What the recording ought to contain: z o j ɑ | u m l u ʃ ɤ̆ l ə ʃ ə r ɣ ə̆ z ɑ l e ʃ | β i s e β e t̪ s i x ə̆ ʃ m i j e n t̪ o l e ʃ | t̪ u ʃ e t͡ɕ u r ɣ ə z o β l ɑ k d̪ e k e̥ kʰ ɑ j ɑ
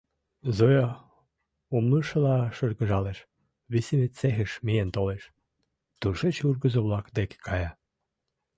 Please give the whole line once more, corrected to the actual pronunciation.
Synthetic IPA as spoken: z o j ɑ | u m l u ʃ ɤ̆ l ɑ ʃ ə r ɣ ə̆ ʒ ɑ l e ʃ | β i s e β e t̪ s e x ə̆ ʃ m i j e n t̪ o l e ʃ | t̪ u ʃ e t͡ɕ u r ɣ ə z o β l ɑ k d̪ e k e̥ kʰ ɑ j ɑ